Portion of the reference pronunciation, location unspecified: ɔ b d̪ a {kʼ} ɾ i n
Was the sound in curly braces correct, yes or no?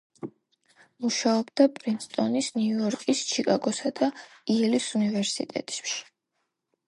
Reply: no